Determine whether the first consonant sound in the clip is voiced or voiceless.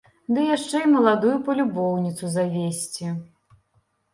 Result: voiced